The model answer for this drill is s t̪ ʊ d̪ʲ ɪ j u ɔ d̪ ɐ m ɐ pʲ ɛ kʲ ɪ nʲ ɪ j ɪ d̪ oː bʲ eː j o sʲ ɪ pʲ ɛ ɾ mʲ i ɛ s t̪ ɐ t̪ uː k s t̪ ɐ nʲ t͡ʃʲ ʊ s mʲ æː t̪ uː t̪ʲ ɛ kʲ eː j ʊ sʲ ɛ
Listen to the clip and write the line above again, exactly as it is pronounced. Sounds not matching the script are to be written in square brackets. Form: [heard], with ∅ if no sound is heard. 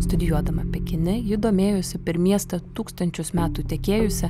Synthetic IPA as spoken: s t̪ ʊ d̪ʲ ɪ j u ɔ d̪ ɐ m ɐ pʲ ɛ kʲ ɪ nʲ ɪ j ɪ d̪ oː [mʲ] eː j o sʲ ɪ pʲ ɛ ɾ mʲ i ɛ s t̪ ɐ t̪ uː k s t̪ ɐ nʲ t͡ʃʲ ʊ s mʲ æː t̪ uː t̪ʲ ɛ kʲ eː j ʊ sʲ ɛ